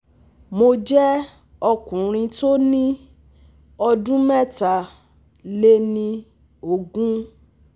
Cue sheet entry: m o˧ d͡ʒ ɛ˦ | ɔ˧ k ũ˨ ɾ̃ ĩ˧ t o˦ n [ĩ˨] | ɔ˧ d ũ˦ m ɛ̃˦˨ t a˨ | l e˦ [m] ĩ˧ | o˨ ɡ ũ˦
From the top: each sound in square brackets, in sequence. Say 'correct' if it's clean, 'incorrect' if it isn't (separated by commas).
incorrect, incorrect